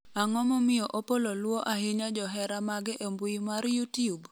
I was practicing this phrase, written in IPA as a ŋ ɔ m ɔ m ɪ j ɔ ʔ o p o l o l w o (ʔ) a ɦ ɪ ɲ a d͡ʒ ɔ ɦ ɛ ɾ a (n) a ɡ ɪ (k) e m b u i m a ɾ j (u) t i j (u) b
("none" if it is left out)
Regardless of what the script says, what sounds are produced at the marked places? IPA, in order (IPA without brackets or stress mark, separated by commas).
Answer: ʔ, m, ʔ, u, u